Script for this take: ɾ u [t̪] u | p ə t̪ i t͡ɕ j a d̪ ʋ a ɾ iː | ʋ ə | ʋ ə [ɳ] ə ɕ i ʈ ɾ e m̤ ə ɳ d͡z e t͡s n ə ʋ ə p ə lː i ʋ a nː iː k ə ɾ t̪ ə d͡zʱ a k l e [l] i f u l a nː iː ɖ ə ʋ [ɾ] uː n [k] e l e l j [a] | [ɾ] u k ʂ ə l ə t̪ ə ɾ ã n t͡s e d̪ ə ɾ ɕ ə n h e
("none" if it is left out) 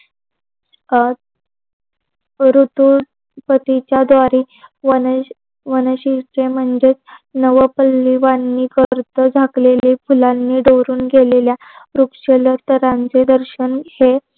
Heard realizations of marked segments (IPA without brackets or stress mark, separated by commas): t̪, n, l, ɾ, ɡ, a, ɾ